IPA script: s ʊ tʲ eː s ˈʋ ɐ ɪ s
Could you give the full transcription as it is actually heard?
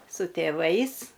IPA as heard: s ʊ tʲ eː ˈʋ ɐ ɪ s